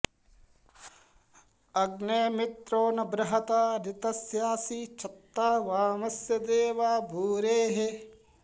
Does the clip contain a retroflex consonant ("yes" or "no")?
no